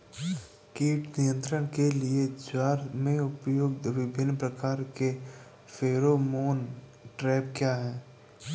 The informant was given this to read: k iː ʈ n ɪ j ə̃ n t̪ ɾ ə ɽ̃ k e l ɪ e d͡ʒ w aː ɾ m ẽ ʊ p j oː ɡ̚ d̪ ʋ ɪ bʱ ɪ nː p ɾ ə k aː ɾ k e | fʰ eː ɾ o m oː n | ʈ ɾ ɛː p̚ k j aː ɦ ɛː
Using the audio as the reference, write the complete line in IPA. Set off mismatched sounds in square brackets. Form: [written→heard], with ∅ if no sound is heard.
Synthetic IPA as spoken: k iː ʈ n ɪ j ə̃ n t̪ ɾ ə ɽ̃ k e l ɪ e d͡ʒ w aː ɾ m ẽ ʊ p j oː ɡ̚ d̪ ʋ ɪ bʱ ɪ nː p ɾ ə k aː ɾ k e | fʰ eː ɾ o m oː n | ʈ ɾ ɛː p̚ k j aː ɦ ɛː